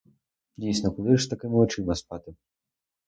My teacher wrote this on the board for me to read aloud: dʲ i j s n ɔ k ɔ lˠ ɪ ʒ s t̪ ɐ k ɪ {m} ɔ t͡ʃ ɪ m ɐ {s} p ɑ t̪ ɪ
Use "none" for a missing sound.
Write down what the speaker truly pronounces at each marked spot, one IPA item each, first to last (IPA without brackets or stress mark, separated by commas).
m, s